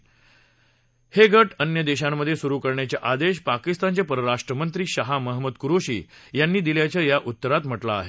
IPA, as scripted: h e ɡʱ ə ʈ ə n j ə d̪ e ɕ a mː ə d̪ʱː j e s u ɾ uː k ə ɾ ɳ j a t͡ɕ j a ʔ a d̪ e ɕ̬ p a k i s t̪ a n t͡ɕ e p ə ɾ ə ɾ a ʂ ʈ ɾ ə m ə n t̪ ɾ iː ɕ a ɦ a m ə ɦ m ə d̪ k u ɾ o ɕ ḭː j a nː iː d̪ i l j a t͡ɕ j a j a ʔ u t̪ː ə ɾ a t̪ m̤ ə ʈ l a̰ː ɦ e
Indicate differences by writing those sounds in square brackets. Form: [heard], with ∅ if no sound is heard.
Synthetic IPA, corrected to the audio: h e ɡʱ ə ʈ ə n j ə d̪ e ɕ a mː ə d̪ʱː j e s u ɾ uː k ə ɾ ɳ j a t͡ɕ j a ʔ a d̪ e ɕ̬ p a k i s t̪ a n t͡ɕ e p ə ɾ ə ɾ a ʂ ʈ ɾ ə m ə n t̪ ɾ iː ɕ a ɦ a m ə ɦ m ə d̪ k u ɾ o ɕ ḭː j a nː iː d̪ i l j a t͡ɕ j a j a ʔ u t̪ː ə ɾ a t̪ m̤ ə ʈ l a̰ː ɦ e